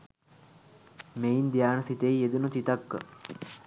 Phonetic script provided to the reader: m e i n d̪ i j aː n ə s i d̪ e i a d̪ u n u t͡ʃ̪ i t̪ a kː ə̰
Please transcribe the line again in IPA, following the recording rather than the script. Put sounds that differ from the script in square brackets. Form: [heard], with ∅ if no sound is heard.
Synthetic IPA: m e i n d̪ i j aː n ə s i [t̪] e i [e] d̪ u n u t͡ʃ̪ i t̪ a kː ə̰